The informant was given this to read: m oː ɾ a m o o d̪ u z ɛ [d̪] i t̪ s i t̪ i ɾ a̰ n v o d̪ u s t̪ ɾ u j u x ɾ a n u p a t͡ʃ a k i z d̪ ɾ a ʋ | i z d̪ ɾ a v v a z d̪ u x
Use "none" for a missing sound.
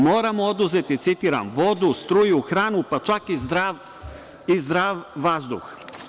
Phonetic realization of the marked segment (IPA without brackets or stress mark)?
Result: t̪